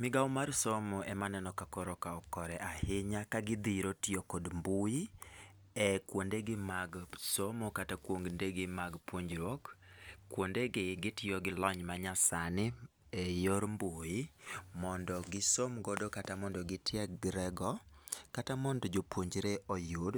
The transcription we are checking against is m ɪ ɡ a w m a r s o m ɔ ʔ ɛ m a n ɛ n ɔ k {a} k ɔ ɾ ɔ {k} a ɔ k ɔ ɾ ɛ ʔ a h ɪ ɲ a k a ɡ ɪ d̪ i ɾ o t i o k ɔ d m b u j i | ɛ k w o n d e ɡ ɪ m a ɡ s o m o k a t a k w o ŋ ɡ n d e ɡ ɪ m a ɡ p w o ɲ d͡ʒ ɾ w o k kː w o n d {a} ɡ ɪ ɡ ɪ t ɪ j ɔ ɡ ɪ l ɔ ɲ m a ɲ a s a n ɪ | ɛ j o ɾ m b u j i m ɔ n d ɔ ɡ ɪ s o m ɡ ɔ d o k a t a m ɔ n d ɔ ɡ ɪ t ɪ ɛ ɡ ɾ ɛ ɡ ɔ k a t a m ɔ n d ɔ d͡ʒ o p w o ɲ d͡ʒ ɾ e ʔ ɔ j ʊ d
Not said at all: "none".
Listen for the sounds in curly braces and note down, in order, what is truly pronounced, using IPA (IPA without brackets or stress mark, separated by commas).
a, k, e